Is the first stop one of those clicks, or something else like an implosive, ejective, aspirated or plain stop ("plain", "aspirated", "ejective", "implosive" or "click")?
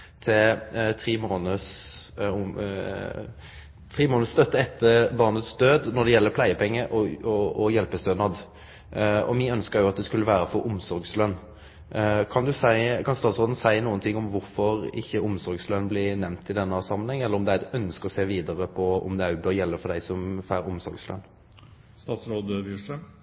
aspirated